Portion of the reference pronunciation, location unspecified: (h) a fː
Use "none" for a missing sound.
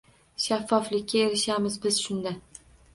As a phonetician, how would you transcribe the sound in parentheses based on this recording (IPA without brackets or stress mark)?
ʃ